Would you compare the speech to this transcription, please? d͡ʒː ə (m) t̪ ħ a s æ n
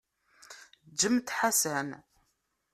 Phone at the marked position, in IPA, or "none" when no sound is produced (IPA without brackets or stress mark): m